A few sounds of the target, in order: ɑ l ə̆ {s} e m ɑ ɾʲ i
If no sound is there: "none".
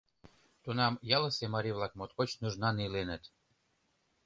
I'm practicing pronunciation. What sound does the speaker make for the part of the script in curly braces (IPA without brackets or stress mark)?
s